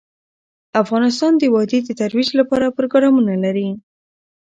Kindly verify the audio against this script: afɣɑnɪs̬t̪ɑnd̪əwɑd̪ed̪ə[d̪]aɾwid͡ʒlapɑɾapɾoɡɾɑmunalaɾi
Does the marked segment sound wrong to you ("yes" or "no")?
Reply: yes